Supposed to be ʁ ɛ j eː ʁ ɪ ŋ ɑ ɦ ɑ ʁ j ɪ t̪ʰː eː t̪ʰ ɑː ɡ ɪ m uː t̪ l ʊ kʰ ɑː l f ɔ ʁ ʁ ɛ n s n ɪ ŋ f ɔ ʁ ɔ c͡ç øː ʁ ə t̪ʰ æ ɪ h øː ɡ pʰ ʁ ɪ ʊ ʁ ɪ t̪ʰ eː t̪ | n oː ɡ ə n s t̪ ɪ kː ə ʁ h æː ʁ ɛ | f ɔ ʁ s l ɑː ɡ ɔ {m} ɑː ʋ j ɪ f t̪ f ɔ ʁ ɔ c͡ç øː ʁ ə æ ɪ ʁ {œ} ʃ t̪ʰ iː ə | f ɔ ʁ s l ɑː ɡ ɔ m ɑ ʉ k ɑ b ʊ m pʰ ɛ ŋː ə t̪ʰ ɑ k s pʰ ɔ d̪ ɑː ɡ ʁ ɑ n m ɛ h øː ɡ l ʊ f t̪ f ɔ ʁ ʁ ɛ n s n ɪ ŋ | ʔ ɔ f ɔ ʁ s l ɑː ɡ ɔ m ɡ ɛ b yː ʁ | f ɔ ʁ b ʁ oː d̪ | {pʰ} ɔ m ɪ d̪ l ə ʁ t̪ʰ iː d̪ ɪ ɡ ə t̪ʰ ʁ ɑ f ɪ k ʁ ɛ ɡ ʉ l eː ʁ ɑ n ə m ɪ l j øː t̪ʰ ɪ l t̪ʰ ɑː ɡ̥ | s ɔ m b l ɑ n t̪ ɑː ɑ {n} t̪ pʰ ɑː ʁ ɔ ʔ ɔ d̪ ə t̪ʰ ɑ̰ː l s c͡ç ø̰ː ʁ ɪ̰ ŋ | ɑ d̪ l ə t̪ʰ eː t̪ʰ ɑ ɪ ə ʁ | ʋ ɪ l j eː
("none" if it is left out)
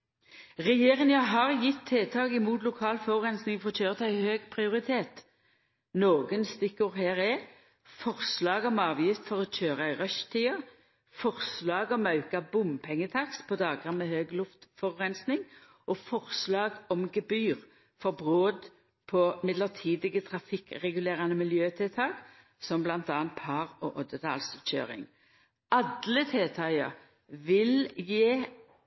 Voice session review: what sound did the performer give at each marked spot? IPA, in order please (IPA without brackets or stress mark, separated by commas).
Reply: m, œ, pʰ, n